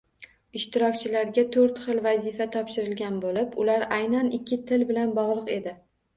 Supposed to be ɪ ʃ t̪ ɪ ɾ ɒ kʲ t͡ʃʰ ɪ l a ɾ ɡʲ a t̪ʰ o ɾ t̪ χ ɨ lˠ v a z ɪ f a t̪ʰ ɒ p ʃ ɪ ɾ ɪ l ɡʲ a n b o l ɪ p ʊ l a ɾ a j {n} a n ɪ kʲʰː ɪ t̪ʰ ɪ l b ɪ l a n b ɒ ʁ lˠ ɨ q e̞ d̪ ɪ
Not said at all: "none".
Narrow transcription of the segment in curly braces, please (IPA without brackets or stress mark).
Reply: n